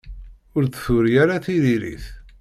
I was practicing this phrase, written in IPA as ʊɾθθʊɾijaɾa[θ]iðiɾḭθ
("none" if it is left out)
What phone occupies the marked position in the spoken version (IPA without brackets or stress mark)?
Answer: θ